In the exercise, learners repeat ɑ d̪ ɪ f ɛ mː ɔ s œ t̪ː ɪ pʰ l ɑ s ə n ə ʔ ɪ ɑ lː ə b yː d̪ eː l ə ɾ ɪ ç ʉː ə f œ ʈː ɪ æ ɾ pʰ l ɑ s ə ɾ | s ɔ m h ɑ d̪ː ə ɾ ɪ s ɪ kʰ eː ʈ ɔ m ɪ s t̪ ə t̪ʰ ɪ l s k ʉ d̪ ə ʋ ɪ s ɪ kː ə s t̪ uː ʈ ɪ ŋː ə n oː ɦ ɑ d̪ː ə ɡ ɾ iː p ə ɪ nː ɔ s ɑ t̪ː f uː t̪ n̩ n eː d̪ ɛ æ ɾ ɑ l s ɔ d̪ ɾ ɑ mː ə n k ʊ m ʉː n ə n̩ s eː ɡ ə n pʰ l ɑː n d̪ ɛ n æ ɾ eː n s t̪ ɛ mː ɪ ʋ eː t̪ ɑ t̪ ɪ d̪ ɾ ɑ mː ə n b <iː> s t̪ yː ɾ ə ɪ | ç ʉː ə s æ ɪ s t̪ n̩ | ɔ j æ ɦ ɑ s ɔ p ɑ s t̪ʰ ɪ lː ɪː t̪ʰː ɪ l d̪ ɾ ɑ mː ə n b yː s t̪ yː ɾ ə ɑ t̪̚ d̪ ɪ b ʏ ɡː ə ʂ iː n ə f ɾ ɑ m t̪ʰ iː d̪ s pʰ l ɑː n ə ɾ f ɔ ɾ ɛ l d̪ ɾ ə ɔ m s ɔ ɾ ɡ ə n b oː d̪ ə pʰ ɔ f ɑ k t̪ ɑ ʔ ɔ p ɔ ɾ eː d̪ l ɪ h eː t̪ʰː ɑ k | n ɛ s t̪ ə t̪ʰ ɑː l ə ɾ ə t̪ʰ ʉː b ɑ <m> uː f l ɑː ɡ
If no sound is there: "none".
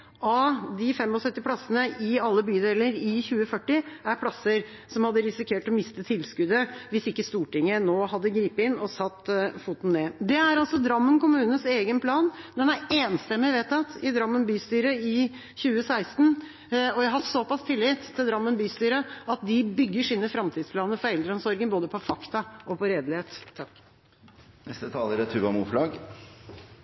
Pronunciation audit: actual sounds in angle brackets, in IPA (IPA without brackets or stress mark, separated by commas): yː, m